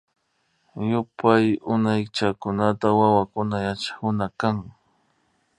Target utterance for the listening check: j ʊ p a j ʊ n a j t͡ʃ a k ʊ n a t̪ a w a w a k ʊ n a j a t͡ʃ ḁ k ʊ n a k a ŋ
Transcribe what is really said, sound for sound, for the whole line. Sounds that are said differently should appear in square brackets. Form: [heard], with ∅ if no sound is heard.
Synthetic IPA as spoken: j ʊ p a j ʊ n a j t͡ʃ a k ʊ n a t̪ a w a w a k ʊ n a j a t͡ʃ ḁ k ʊ n a k a ŋ